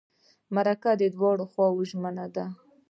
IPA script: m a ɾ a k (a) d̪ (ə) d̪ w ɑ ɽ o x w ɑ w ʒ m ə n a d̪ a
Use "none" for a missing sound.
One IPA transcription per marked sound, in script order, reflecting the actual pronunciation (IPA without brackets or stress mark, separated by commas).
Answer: a, ə